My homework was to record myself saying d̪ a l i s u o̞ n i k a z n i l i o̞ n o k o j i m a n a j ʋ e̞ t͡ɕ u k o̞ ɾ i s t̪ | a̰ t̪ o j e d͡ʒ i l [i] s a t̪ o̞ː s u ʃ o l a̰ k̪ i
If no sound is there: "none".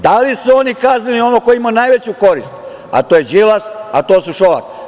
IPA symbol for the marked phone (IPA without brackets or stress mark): a